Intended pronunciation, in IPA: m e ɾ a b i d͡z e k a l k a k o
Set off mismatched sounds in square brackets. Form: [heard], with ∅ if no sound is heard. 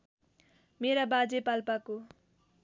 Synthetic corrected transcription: m e ɾ a b [a] d͡z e [p] a l [p] a k o